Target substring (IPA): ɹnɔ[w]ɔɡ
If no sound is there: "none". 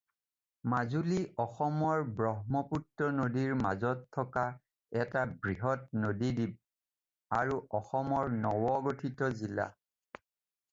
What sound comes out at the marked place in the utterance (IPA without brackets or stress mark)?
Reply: w